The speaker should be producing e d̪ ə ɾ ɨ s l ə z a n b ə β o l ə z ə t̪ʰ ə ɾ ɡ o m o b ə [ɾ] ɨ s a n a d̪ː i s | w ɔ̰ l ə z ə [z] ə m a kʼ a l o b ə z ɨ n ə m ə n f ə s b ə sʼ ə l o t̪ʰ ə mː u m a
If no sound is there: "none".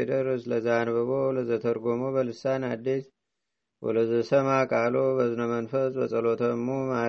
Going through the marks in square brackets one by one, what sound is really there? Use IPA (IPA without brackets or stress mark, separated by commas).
l, s